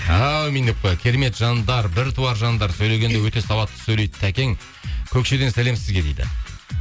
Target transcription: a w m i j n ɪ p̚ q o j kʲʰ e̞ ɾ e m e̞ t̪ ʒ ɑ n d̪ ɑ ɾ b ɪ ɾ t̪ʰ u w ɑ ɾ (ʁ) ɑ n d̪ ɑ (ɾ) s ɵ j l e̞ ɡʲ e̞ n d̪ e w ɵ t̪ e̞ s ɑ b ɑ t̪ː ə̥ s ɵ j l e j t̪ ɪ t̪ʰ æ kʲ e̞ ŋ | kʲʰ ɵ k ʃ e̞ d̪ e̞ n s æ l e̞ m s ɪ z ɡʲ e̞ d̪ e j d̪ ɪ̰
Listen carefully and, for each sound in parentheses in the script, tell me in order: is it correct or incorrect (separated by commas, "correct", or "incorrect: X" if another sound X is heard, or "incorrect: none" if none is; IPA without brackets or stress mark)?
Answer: incorrect: ʒ, correct